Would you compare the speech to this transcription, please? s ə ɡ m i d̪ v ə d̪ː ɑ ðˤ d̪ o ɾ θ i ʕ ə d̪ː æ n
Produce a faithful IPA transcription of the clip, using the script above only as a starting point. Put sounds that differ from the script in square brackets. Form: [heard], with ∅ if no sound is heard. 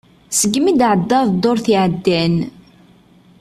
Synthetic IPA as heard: s ə ɡ m i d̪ [ʕ] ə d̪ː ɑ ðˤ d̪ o ɾ θ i ʕ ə d̪ː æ n